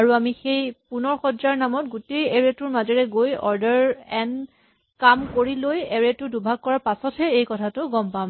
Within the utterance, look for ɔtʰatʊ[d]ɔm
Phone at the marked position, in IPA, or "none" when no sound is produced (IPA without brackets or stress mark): ɡ